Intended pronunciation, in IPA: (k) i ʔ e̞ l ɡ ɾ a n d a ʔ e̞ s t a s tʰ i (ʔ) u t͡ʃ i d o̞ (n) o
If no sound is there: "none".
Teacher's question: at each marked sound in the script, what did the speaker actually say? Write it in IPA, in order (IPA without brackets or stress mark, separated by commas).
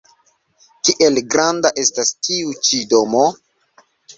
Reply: k, none, m